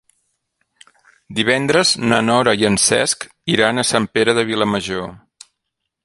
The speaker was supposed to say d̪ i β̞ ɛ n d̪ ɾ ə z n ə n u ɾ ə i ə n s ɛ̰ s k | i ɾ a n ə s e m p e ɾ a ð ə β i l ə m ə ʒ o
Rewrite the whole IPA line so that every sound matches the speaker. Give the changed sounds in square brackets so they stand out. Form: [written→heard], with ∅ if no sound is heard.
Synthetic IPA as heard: d̪ i β̞ ɛ n d̪ ɾ ə z n ə n [u→ɔ] ɾ ə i ə n s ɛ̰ s k | i ɾ a n ə s [e→a] m p e ɾ [a→ə] ð ə β i l ə m ə ʒ o